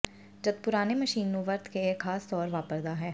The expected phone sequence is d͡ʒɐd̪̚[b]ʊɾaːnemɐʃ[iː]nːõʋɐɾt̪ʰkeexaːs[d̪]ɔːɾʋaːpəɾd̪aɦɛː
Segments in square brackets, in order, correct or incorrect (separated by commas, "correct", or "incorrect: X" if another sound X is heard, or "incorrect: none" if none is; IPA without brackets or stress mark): incorrect: p, correct, incorrect: t̪